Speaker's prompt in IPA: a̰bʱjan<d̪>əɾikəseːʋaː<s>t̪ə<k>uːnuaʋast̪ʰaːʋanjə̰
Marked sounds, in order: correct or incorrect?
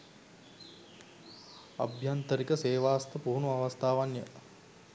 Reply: incorrect, correct, incorrect

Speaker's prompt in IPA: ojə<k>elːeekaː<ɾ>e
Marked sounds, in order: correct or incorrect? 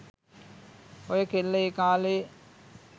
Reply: correct, incorrect

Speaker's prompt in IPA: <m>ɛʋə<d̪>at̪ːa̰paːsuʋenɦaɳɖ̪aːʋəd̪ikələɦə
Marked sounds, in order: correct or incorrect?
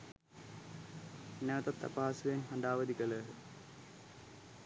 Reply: incorrect, incorrect

